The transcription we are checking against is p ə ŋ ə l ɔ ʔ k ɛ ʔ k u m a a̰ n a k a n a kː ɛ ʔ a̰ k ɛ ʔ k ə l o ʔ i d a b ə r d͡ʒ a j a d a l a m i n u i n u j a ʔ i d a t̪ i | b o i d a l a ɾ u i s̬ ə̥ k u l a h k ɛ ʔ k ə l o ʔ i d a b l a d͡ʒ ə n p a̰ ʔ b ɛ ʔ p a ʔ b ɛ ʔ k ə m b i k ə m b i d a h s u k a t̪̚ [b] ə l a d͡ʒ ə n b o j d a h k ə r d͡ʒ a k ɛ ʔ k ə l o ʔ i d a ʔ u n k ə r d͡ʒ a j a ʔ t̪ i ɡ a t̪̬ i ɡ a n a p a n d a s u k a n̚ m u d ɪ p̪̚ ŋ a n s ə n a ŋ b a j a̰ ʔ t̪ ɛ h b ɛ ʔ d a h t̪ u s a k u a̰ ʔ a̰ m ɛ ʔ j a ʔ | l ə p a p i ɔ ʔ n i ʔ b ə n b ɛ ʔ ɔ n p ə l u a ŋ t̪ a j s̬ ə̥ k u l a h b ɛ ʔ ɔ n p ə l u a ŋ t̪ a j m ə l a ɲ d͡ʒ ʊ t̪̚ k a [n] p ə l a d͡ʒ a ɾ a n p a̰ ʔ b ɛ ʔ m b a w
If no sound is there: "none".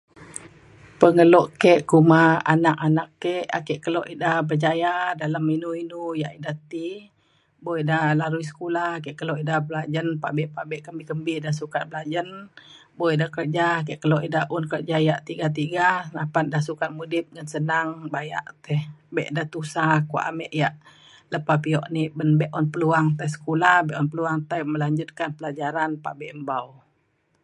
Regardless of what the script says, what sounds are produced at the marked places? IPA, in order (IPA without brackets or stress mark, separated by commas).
b, n